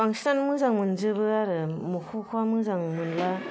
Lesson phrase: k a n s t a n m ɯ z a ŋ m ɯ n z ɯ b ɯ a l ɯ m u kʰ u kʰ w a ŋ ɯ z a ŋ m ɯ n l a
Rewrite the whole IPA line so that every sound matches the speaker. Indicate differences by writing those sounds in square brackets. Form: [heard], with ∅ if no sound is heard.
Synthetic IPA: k a [ŋ] s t a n m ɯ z a ŋ m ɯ n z ɯ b ɯ a [ɾ] ɯ m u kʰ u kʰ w a [m] ɯ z a ŋ m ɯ n l a